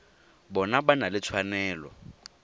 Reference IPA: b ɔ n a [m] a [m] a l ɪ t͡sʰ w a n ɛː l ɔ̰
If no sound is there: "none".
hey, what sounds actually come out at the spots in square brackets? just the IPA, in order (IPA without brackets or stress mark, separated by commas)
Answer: b, n